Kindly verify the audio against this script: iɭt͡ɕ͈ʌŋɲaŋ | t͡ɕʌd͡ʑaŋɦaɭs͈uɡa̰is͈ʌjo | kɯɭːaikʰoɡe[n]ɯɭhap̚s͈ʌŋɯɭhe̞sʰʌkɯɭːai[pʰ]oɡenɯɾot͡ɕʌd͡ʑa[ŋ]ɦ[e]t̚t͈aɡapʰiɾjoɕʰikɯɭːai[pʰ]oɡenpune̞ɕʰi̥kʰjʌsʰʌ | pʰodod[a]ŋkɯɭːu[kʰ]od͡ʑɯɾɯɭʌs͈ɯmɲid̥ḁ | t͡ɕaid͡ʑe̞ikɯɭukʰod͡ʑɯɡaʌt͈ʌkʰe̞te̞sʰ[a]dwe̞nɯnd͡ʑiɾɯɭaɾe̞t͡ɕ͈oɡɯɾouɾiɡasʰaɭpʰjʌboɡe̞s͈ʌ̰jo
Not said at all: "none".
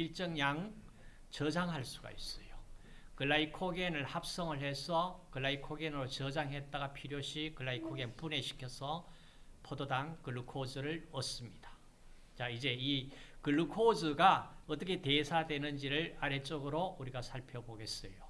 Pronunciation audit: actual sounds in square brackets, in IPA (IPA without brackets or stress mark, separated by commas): n, kʰ, ŋ, e, kʰ, a, kʰ, a